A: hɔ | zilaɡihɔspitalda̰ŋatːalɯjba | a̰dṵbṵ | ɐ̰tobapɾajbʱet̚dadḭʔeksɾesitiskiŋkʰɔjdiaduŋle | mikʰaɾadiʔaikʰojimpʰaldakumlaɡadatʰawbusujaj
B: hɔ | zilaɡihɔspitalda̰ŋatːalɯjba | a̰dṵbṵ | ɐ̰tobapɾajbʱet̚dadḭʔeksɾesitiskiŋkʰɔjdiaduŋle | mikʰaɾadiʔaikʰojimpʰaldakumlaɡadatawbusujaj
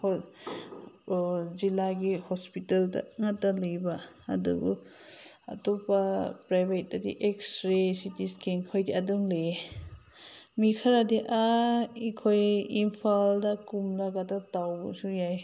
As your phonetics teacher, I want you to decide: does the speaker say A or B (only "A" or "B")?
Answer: B